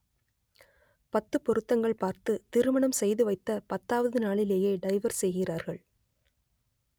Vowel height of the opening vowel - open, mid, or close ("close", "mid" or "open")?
open